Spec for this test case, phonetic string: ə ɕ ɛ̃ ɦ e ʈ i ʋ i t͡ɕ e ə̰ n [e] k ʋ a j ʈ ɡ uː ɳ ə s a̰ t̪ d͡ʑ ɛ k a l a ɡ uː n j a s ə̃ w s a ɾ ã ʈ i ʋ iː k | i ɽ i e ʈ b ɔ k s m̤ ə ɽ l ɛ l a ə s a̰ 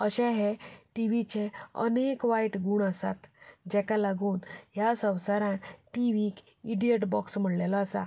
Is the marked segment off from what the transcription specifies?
no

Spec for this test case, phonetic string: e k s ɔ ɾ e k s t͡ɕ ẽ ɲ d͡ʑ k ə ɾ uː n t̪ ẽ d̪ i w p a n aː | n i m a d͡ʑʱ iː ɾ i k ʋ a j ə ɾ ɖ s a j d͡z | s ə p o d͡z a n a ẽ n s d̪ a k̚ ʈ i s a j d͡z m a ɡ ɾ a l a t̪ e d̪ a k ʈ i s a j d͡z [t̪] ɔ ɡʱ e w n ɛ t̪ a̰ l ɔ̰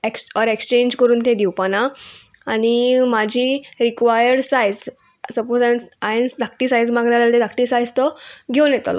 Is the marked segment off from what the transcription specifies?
no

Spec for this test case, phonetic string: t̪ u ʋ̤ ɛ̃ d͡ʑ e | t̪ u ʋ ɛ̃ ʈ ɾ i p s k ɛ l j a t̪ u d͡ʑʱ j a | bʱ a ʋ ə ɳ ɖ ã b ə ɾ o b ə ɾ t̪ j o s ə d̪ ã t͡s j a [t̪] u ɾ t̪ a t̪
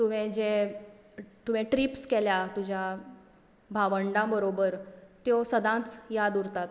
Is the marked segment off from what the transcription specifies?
yes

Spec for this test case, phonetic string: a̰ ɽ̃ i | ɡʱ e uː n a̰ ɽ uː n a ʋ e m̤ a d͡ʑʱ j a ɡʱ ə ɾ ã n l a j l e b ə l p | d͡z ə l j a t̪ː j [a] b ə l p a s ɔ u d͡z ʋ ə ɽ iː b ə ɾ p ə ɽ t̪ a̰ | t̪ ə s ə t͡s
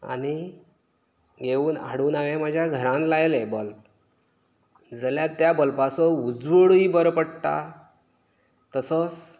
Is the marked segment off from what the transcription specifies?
no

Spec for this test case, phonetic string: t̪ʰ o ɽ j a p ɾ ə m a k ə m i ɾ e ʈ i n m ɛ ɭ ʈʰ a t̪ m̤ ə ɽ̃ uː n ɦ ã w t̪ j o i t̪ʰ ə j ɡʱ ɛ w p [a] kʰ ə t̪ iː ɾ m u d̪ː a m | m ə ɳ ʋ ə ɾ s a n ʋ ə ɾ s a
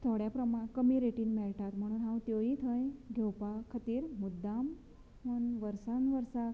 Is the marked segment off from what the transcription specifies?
no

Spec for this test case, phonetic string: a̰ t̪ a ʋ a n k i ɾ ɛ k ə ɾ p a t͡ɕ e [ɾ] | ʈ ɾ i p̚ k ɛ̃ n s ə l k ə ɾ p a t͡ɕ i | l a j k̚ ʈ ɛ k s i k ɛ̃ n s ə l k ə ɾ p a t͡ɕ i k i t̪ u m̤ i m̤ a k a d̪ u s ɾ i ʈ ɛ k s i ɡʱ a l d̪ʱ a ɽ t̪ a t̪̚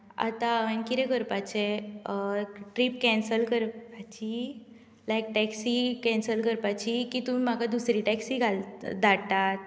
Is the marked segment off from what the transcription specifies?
yes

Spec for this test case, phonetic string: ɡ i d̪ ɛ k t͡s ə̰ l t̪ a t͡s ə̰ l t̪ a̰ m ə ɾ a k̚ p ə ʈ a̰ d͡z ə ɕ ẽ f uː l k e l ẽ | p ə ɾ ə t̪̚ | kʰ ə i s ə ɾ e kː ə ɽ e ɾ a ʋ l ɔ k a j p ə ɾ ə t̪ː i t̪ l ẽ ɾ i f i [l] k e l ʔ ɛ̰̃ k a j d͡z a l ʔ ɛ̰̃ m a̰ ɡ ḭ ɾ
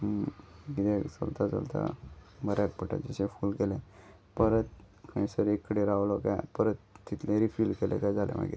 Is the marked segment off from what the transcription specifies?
no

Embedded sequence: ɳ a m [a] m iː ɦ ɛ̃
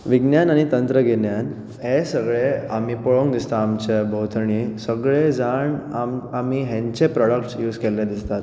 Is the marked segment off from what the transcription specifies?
no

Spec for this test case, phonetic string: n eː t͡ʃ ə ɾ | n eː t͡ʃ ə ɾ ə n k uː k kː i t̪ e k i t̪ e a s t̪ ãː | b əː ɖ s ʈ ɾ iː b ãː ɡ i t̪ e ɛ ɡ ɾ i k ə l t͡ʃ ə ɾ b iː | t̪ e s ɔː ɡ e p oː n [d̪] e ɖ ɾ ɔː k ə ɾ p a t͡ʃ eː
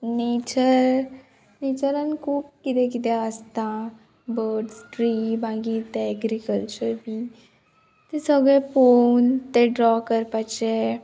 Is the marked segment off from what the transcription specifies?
yes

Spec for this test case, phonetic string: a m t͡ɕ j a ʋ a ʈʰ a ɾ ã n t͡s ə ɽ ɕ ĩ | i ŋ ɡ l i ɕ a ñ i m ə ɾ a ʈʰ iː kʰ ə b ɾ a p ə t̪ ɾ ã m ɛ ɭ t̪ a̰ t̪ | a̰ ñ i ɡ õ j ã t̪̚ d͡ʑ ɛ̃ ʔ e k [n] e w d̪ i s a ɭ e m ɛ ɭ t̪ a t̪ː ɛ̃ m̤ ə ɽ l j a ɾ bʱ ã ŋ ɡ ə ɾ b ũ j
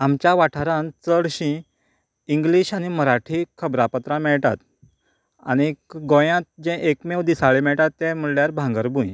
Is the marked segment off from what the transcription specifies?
yes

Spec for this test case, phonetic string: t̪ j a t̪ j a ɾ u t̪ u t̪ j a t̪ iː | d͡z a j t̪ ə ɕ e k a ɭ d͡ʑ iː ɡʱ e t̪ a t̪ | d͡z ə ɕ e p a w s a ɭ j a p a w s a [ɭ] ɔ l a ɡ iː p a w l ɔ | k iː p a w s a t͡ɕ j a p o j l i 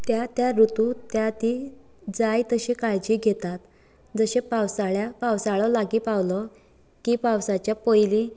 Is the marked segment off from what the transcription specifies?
no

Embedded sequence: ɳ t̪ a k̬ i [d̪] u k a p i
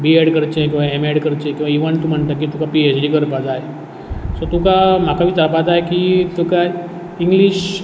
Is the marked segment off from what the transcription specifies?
yes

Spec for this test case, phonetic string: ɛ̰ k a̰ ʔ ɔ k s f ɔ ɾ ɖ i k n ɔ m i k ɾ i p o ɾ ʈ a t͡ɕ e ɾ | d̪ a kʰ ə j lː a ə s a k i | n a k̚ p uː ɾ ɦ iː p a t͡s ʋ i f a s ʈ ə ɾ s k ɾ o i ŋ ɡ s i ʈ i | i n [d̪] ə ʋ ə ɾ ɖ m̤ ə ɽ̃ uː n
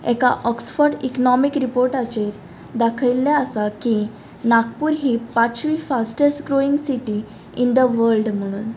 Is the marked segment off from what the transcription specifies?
no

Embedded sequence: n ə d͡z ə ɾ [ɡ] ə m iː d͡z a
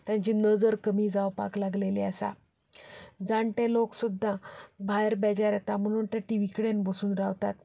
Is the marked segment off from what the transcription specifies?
yes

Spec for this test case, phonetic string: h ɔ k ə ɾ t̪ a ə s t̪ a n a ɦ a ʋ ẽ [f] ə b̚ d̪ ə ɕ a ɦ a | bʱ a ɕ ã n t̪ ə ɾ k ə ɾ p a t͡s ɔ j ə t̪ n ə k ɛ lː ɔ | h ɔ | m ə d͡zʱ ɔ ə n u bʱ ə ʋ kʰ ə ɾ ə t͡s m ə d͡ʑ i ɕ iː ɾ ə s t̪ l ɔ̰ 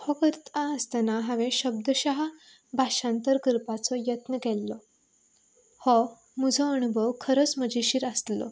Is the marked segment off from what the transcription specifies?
yes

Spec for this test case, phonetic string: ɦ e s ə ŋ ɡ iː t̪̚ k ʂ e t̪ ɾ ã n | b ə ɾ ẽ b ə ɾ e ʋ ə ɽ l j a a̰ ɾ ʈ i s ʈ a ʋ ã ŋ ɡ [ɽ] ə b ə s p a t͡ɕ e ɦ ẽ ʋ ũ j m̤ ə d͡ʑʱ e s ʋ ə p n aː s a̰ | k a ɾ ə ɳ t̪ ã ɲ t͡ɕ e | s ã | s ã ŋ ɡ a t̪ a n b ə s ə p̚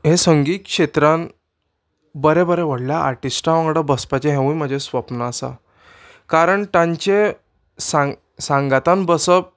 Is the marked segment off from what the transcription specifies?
no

